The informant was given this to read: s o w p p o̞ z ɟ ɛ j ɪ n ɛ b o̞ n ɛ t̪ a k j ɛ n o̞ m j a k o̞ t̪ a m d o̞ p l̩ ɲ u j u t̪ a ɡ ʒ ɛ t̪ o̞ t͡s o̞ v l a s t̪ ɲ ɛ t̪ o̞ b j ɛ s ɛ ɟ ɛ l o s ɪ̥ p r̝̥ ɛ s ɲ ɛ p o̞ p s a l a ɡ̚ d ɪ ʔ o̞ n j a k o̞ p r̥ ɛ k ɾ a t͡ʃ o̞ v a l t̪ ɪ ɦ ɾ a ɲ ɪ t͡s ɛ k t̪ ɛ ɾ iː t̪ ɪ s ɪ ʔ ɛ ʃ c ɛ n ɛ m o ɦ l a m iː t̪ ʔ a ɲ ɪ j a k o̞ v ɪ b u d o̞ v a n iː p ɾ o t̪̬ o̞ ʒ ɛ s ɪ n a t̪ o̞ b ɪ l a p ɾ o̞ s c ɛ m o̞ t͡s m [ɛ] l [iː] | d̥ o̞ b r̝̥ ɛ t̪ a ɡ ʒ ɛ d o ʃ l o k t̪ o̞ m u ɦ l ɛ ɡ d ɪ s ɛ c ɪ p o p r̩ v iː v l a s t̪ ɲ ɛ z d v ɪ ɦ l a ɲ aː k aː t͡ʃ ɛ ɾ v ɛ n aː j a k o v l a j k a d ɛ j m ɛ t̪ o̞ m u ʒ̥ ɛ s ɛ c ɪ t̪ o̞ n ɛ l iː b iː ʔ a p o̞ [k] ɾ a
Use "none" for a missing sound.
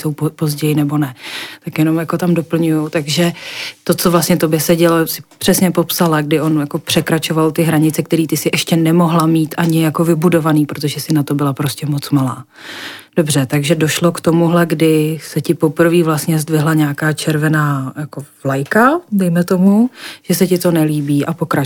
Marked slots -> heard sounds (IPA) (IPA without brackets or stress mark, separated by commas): a, aː, k